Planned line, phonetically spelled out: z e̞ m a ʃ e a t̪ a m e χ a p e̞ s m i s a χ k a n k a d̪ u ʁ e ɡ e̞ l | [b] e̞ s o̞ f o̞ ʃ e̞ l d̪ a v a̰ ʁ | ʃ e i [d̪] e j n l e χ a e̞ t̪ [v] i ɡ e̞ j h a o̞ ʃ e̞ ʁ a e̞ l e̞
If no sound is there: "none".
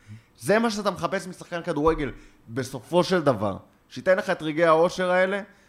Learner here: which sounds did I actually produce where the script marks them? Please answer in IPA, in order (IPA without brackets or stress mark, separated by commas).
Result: b, t̪, ʁ